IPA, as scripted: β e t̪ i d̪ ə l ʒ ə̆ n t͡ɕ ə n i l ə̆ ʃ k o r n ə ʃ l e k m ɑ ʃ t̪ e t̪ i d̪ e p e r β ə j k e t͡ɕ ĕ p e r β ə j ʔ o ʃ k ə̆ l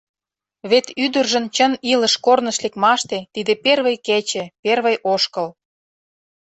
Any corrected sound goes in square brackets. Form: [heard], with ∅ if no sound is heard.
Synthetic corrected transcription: β e t̪ [y] d̪ ə [r] ʒ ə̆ n t͡ɕ ə n i l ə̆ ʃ k o r n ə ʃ l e k m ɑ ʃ t̪ e t̪ i d̪ e p e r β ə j k e t͡ɕ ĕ p e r β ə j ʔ o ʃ k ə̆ l